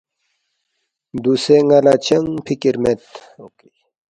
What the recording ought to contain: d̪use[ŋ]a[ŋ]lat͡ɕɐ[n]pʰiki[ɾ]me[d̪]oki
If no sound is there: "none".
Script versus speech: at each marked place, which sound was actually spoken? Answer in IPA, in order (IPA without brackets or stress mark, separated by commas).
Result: ŋ, none, ŋ, ɾ, t̪